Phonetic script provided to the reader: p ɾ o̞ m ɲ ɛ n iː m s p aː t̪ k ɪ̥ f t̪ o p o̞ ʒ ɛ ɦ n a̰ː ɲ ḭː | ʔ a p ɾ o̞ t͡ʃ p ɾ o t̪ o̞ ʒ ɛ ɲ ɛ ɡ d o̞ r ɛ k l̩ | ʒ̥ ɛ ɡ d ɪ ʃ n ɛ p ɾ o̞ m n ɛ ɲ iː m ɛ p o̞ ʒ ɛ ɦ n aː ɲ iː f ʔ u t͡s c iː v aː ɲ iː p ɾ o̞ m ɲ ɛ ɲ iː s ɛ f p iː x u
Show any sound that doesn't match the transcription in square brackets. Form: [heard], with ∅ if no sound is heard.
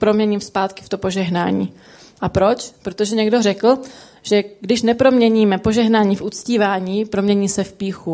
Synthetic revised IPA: p ɾ o̞ m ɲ ɛ [ɲ] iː m s p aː t̪ k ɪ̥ f t̪ o p o̞ ʒ ɛ ɦ n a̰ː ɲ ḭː | ʔ a p ɾ o̞ t͡ʃ p ɾ o t̪ o̞ ʒ ɛ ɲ ɛ ɡ d o̞ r ɛ k l̩ | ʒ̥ ɛ ɡ d ɪ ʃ n ɛ p ɾ o̞ m [ɲ] ɛ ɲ iː m ɛ p o̞ ʒ ɛ ɦ n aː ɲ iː f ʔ u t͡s c iː v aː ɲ iː p ɾ o̞ m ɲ ɛ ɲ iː s ɛ f p iː x u